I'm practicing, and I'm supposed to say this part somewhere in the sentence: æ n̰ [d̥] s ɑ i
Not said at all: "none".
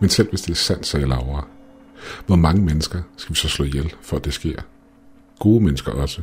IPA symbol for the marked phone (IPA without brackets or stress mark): d̥